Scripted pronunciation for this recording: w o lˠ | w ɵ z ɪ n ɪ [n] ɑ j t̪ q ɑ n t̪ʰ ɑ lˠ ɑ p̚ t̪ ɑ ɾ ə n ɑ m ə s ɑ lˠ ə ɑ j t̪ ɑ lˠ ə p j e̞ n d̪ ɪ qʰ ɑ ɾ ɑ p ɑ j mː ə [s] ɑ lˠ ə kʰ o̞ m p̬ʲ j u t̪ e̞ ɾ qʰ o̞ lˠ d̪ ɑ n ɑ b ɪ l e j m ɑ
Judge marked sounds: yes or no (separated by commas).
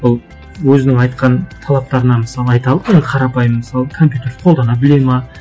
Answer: no, yes